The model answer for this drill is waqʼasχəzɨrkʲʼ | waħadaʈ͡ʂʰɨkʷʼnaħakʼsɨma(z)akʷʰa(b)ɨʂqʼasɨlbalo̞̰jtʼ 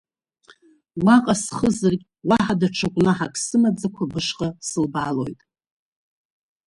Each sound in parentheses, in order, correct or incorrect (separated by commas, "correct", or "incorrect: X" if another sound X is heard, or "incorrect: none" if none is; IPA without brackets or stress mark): incorrect: d͡z, correct